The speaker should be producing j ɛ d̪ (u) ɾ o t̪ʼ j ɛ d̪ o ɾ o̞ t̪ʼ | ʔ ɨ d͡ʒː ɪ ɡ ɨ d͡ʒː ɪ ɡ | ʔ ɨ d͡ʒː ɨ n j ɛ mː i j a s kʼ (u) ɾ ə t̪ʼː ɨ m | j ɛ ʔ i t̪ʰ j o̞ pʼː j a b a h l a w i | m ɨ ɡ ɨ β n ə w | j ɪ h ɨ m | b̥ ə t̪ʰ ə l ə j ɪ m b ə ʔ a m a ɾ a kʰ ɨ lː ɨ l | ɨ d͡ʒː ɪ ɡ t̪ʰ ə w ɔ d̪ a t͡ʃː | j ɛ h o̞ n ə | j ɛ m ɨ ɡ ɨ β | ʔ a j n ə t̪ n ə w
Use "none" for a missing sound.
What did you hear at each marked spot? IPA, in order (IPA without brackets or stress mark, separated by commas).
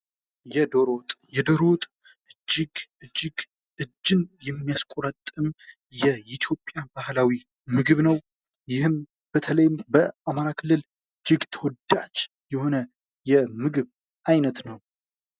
o, o